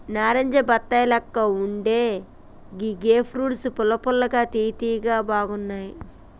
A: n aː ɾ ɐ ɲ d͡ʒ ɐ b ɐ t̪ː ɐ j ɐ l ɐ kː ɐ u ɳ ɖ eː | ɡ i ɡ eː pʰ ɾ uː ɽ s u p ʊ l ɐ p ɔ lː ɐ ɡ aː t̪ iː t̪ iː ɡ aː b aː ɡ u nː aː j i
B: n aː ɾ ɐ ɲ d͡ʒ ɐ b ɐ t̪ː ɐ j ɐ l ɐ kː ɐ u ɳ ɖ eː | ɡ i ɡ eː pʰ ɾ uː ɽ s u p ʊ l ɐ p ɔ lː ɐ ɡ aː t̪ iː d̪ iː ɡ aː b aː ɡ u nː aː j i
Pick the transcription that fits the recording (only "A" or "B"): A